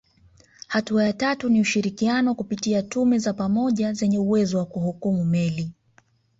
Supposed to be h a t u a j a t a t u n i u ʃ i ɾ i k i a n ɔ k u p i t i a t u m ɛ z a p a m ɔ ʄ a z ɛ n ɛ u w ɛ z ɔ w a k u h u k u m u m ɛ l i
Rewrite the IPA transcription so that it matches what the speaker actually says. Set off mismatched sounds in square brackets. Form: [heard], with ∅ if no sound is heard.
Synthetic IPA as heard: h a t u a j a t a t u n i u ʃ i ɾ i k i a n ɔ k u p i t i a t u m ɛ z a p a m ɔ ʄ a z ɛ [ɲ] ɛ u w ɛ z ɔ w a k u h u k u m u m ɛ l i